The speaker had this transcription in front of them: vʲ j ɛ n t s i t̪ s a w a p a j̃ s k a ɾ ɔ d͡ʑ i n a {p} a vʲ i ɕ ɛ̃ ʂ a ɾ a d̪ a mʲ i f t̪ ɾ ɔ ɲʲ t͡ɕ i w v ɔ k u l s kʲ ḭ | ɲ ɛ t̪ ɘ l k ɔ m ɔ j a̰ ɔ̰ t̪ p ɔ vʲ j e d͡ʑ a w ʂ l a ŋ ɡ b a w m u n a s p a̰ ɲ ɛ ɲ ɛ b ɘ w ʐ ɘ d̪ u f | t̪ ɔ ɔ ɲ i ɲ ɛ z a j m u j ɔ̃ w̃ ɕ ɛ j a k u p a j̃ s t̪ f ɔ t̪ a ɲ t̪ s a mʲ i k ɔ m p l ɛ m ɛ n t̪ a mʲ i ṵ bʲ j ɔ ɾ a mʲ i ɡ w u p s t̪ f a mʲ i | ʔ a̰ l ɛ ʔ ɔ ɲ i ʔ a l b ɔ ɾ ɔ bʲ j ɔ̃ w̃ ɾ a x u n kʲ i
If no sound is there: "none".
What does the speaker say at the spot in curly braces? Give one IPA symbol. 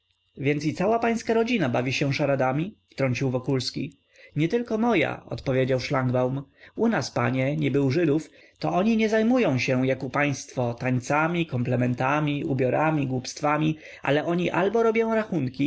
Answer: b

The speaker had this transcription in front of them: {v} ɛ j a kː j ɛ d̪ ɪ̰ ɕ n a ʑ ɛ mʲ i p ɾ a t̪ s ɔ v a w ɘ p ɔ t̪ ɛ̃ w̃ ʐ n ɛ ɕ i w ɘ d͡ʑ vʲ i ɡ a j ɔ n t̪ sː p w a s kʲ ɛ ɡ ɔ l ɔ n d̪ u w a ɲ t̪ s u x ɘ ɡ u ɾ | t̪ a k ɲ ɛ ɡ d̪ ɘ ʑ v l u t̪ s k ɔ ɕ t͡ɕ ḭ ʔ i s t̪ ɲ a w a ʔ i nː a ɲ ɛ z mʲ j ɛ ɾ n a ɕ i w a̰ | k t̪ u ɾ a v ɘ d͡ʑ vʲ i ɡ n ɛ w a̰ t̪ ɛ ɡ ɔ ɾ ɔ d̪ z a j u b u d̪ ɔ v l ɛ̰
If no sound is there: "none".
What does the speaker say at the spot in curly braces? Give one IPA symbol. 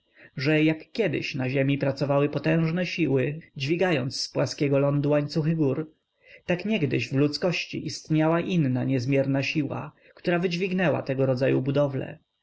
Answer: ʐ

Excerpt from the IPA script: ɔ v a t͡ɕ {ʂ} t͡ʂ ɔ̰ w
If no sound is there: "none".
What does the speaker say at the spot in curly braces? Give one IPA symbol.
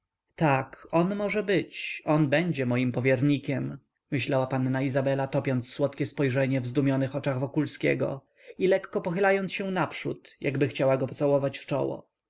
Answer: f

